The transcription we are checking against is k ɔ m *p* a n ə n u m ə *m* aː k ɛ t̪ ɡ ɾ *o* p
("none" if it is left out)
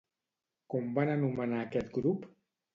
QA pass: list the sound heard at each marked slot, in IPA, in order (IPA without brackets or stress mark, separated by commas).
b, n, u